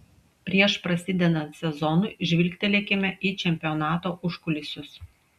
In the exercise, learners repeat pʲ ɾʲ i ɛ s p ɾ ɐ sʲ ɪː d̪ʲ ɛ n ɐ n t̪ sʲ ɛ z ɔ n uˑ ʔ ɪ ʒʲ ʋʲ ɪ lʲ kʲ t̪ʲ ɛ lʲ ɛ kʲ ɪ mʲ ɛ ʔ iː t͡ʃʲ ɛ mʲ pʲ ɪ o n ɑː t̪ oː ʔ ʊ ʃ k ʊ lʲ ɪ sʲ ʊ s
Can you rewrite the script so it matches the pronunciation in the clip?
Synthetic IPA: pʲ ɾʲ i ɛ ʃ p ɾ ɐ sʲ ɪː d̪ʲ ɛ n ɐ n t̪ sʲ ɛ z ɔ n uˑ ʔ ɪ ʒʲ ʋʲ ɪ lʲ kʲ t̪ʲ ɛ lʲ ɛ kʲ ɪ mʲ ɛ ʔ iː t͡ʃʲ ɛ mʲ pʲ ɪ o n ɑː t̪ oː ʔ ʊ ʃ k ʊ lʲ ɪ sʲ ʊ s